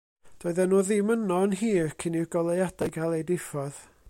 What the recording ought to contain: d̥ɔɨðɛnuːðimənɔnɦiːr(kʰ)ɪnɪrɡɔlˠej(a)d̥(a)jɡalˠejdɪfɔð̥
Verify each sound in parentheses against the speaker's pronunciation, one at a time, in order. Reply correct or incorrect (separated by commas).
correct, correct, correct